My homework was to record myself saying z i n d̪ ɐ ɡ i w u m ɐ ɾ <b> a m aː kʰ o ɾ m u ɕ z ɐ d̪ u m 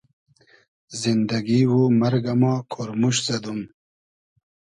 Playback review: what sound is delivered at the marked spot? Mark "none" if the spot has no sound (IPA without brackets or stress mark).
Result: ɡ